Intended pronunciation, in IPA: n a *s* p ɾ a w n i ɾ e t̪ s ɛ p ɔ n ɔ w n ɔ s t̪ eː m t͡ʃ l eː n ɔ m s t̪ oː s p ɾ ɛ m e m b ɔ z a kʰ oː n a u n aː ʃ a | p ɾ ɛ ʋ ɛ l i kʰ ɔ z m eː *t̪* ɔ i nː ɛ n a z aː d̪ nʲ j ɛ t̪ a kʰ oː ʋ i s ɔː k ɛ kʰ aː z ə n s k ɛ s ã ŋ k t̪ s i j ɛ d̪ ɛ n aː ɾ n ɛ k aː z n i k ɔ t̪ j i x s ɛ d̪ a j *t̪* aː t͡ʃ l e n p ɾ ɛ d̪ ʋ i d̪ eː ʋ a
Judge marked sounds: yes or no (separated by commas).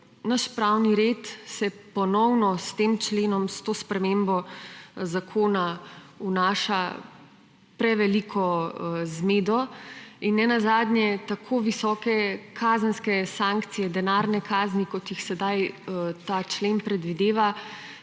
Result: no, no, yes